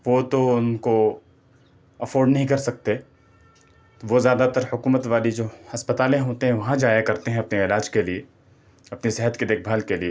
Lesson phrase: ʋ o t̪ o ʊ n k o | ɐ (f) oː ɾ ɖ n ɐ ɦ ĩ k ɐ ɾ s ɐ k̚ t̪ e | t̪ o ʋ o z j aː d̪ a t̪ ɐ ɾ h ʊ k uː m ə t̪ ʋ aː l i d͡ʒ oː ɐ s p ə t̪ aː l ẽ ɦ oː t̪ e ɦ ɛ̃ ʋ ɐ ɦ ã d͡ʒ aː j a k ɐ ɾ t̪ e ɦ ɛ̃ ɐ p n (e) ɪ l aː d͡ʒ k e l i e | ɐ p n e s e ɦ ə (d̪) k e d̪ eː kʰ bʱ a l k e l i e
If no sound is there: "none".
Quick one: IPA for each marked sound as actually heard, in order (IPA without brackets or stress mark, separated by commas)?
f, e, t̪